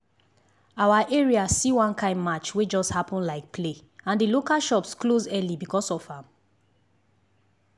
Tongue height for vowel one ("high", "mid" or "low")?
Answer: low